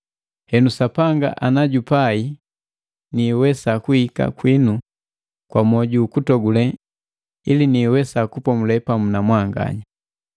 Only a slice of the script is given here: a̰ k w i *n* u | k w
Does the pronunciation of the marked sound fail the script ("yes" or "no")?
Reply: no